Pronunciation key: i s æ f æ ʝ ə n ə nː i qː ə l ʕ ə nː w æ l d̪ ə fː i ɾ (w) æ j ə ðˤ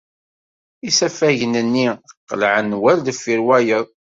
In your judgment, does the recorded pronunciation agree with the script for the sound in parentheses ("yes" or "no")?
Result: yes